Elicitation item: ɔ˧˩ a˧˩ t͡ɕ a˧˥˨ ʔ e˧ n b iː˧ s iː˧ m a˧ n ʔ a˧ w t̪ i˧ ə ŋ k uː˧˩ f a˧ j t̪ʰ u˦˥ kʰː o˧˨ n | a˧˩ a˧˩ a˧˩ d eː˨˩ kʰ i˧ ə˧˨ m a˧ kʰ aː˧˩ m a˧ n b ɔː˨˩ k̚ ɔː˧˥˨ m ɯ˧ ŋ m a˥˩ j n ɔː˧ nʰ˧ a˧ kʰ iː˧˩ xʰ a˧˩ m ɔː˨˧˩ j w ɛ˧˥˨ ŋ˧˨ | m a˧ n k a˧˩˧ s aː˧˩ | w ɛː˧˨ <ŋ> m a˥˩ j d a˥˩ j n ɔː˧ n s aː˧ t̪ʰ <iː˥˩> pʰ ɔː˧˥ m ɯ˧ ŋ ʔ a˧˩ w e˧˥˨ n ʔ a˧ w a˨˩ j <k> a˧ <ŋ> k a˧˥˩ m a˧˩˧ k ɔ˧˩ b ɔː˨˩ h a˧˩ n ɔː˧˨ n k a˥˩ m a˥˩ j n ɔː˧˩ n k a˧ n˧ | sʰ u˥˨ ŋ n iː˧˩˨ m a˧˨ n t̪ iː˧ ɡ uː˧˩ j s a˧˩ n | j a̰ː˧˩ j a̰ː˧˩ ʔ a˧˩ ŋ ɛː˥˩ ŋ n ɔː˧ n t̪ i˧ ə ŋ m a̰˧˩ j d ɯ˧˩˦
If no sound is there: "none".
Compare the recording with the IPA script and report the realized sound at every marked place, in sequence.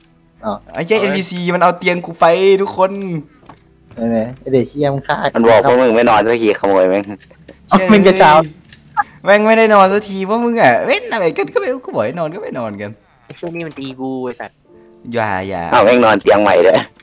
ŋ, iː˧, k, n

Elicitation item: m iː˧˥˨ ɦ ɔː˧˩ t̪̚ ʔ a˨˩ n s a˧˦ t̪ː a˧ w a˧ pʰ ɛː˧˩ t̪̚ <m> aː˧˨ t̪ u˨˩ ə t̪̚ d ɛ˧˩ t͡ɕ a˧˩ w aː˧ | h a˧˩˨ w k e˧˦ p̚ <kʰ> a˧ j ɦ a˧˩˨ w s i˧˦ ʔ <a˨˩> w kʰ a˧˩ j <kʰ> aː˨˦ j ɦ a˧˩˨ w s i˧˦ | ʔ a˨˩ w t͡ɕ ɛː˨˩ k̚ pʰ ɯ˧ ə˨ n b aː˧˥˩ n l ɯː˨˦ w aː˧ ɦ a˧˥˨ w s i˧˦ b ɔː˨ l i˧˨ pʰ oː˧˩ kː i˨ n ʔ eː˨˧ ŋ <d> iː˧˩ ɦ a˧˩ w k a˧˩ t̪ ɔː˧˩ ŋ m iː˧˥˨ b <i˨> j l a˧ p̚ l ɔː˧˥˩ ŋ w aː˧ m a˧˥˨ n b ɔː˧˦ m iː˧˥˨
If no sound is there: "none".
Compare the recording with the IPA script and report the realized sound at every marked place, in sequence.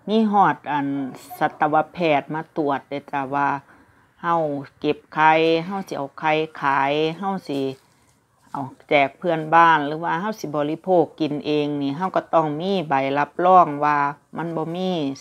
m, kʰ, a˨˩, kʰ, n, a˨

